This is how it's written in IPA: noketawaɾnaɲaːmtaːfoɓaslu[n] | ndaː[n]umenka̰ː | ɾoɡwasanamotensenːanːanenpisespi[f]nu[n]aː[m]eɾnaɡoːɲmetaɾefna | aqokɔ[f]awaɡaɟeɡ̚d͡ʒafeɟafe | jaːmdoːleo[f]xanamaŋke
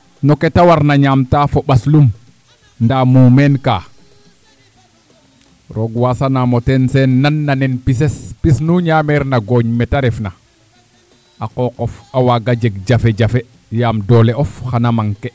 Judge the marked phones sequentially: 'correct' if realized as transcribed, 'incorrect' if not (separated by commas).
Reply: incorrect, incorrect, incorrect, incorrect, correct, correct, correct